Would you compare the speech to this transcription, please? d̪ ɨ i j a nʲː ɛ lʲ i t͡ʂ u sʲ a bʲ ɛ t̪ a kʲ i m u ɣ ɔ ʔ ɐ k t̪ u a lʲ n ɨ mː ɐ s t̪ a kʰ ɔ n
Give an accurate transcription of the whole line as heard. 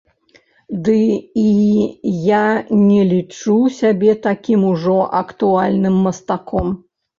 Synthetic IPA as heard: d̪ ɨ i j a nʲ ɛ lʲ i t͡ʂ u sʲ a bʲ ɛ t̪ a kʲ i m u ʐ ɔ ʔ ɐ k t̪ u a lʲ n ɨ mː ɐ s t̪ a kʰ ɔ m